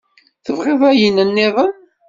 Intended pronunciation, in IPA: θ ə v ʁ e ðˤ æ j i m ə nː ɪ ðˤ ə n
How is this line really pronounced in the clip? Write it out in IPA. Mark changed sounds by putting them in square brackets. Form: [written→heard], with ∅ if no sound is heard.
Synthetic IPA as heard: θ ə v ʁ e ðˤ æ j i [m→n] ə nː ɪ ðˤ ə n